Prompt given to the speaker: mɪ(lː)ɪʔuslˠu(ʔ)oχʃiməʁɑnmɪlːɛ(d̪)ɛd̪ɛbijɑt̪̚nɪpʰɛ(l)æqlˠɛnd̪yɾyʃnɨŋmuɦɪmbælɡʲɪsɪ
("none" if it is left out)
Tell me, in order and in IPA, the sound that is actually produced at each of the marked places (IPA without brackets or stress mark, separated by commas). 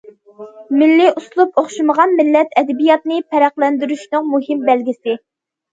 lː, p, t̪, ɾ